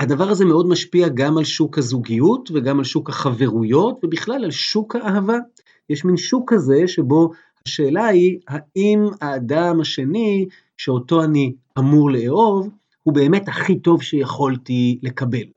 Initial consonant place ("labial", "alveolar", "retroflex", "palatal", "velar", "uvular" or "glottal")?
glottal